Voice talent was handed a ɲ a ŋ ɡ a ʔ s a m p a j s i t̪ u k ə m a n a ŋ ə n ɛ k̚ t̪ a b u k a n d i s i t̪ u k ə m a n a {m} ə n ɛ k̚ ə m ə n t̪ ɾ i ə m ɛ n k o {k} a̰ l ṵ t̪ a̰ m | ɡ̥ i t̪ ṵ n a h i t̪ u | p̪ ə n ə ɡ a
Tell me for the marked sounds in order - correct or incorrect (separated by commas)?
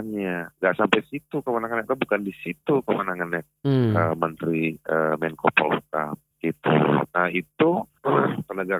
incorrect, incorrect